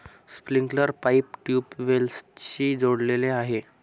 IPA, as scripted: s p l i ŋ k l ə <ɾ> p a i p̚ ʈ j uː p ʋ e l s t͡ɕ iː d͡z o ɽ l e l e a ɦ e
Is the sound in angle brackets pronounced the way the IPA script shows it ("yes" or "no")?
yes